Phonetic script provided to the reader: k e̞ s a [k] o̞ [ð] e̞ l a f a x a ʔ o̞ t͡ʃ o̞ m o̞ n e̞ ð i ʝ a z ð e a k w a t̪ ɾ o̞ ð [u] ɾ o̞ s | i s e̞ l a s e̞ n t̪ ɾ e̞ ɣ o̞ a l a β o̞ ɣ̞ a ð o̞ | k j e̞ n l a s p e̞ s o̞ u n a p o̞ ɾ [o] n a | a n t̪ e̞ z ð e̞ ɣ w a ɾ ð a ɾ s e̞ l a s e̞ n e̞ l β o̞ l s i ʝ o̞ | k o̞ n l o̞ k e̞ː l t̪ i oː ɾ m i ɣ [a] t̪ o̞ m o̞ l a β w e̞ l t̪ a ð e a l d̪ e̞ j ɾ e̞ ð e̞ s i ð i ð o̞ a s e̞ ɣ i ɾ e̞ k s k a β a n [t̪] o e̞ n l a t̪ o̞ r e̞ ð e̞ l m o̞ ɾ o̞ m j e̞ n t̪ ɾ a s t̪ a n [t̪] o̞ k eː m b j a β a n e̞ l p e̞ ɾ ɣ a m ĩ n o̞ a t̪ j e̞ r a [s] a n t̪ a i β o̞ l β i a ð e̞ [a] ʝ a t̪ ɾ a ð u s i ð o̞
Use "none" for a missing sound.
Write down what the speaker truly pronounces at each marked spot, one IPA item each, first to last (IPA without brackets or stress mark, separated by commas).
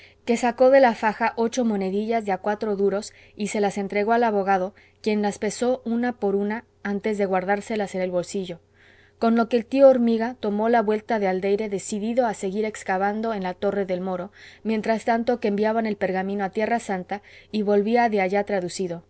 k, ð, u, u, a, d̪, t̪, s, a